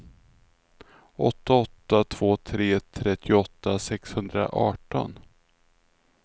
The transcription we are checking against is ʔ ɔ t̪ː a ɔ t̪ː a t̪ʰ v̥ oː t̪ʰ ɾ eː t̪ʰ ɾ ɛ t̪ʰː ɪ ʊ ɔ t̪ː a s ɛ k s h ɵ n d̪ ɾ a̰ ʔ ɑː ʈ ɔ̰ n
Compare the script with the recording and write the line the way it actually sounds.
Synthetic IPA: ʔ ɔ t̪ː a ɔ t̪ː a t̪ʰ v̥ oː t̪ʰ ɾ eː t̪ʰ ɾ ɛ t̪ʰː ɪ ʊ ɔ t̪ː a s ɛ k s h ɵ n d̪ ɾ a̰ ʔ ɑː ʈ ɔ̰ n